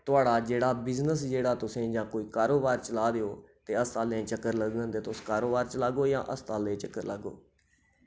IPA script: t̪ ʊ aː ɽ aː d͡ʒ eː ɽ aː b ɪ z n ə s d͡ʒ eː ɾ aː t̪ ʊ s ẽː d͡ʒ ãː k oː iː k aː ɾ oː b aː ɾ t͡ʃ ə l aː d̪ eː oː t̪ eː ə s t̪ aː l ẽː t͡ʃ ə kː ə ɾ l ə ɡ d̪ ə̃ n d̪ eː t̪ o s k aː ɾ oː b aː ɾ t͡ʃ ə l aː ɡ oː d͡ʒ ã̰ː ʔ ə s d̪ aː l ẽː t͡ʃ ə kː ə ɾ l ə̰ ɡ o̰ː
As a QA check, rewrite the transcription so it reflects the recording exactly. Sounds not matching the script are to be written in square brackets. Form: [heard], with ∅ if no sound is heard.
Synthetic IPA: t̪ ʊ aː ɽ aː d͡ʒ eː ɽ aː b ɪ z n ə s d͡ʒ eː [ɽ] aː t̪ ʊ s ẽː d͡ʒ ãː k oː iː k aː ɾ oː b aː ɾ t͡ʃ ə l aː d̪ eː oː t̪ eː ə s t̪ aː l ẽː t͡ʃ ə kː ə ɾ l ə ɡ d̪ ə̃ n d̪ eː t̪ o s k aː ɾ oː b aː ɾ t͡ʃ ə l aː ɡ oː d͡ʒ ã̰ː ʔ ə s [t̪] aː l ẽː t͡ʃ ə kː ə ɾ l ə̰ ɡ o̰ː